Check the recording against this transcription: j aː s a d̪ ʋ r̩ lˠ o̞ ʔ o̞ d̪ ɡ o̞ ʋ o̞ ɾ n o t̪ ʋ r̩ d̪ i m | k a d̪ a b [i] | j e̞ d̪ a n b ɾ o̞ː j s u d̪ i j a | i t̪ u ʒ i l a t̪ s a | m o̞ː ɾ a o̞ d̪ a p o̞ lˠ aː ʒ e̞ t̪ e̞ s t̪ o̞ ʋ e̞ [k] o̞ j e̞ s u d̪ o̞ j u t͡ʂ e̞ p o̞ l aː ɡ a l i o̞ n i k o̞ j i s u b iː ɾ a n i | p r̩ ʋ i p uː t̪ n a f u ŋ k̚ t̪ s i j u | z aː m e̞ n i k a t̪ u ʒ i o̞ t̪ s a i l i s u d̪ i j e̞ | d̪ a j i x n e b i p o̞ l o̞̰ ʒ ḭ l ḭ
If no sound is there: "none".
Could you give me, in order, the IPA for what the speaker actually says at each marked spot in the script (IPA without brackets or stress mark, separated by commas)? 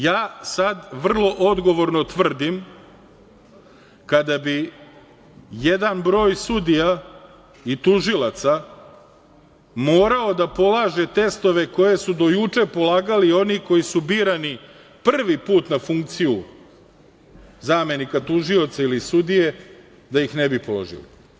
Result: i, k